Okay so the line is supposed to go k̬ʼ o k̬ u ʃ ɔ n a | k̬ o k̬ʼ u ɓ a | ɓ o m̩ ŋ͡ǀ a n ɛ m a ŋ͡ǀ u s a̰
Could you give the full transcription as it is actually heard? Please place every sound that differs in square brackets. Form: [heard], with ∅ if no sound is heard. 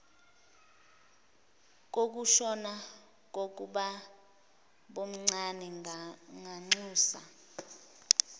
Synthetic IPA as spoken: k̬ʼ o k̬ u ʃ ɔ n a | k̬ o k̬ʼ u ɓ a | ɓ o m̩ ŋ͡ǀ a n ɛ [ŋ] a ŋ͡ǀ [uː] s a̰